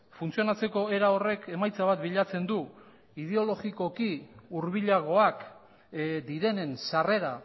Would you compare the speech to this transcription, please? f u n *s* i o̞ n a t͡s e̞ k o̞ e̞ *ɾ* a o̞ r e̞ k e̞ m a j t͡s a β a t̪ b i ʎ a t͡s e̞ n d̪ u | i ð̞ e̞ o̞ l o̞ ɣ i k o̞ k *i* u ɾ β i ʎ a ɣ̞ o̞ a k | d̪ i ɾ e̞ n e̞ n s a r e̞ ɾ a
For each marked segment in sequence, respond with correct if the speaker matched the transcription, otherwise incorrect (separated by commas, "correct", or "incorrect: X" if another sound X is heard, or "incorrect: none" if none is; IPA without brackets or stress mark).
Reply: incorrect: t͡s, correct, correct